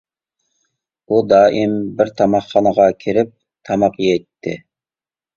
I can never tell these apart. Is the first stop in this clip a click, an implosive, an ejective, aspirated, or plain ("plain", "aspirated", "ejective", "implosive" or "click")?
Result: plain